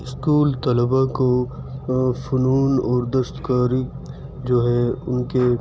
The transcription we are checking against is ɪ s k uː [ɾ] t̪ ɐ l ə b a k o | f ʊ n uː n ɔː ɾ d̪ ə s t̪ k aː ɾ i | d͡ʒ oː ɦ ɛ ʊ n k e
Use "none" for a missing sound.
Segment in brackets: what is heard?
l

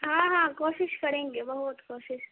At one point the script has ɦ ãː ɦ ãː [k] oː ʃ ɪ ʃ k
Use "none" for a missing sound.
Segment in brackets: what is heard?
k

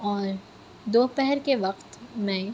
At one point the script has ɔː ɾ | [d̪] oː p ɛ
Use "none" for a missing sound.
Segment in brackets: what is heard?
d̪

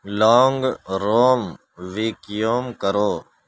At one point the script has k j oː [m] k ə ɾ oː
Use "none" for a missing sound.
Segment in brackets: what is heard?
m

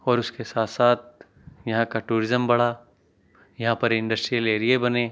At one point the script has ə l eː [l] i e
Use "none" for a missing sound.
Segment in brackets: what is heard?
ɾ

